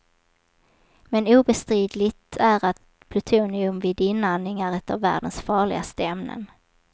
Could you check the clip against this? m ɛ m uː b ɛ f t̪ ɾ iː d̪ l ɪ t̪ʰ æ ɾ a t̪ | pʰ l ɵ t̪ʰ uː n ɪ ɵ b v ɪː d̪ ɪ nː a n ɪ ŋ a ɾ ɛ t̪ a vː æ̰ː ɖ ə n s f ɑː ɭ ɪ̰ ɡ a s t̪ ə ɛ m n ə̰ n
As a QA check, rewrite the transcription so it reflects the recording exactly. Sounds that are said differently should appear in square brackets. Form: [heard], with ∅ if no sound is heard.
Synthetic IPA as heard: m ɛ [n] uː b ɛ [s] t̪ ɾ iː d̪ l ɪ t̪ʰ æ ɾ a t̪ | pʰ l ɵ t̪ʰ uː n ɪ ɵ [m] v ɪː d̪ ɪ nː a n ɪ ŋ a ɾ ɛ t̪ a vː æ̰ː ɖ ə n s f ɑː ɭ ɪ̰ ɡ a s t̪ ə ɛ m n ə̰ n